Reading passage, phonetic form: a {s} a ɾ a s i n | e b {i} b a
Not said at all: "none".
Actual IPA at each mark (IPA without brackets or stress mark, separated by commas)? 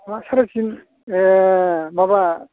s, a